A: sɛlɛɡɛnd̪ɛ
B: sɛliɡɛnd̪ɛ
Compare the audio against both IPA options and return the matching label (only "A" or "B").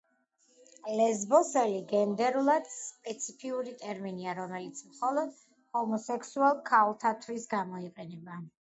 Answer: B